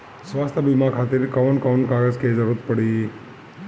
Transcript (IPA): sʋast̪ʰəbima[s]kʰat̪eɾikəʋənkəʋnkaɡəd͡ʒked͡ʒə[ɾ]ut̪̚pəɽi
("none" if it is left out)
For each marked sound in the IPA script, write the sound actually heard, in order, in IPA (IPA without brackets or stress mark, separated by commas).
none, ɾ